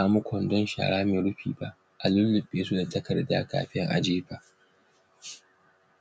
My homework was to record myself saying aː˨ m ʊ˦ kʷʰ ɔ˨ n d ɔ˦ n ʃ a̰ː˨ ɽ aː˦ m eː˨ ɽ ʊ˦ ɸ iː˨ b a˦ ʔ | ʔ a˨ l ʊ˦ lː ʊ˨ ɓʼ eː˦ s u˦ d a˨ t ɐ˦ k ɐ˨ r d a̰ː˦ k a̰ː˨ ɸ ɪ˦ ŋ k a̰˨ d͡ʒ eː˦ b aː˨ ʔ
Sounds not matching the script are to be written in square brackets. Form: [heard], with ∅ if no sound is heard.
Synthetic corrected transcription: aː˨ m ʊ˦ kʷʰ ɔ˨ n d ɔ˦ n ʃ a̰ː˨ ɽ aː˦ m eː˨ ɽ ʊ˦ ɸ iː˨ b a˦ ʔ | ʔ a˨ l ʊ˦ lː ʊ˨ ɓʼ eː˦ s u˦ d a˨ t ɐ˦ k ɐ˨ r d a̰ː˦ k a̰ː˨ ɸ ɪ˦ ŋ [ʔ] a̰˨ d͡ʒ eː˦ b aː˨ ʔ